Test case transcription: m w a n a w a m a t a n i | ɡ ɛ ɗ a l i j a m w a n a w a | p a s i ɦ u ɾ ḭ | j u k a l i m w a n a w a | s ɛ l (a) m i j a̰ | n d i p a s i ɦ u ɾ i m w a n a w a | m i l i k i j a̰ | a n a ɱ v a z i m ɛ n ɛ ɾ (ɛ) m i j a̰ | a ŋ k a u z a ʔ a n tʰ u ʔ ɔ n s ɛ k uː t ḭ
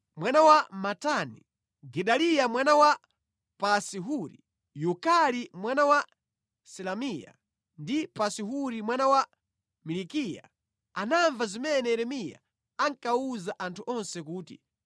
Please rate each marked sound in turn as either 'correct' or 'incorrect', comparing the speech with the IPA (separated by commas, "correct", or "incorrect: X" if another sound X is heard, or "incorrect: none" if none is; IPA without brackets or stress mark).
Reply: correct, correct